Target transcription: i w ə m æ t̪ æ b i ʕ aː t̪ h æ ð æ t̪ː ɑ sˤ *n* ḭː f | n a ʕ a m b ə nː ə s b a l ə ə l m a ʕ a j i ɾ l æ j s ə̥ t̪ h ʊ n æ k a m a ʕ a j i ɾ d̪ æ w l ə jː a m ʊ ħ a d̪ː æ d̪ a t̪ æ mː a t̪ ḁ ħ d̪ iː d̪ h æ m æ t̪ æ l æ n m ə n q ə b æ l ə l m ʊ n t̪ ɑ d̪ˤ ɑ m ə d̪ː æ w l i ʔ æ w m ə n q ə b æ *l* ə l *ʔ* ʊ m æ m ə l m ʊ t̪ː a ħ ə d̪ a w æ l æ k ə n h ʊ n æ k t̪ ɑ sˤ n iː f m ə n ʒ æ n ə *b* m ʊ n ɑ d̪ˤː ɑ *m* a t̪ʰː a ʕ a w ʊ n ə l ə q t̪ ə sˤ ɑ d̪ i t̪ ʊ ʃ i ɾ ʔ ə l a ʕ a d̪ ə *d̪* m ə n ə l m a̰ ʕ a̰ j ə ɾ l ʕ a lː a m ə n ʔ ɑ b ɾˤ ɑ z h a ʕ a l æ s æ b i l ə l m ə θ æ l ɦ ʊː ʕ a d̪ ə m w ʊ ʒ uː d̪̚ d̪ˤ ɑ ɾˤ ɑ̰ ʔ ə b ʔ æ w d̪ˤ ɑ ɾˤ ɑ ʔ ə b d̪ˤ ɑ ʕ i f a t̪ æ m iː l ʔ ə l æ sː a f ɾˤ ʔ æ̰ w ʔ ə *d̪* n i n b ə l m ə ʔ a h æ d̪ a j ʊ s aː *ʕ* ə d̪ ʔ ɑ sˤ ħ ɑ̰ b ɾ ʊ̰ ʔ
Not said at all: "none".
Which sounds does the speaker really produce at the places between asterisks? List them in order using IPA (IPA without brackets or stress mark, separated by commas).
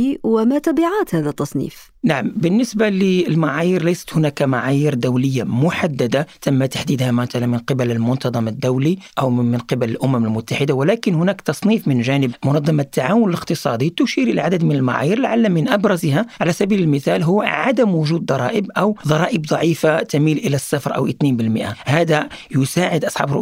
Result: n, l, ʔ, b, m, d̪, t̪, ʕ